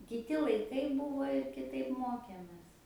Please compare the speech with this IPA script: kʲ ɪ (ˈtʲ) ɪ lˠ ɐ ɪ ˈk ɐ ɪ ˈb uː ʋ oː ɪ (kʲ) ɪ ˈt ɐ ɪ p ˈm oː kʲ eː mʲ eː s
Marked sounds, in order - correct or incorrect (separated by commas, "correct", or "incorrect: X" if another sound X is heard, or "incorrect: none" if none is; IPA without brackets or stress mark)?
correct, correct